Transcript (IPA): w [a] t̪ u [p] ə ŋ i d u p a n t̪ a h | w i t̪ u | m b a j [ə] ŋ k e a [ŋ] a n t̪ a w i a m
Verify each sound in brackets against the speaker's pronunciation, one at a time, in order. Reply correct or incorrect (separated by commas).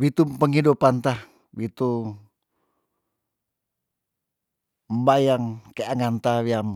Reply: incorrect, correct, incorrect, correct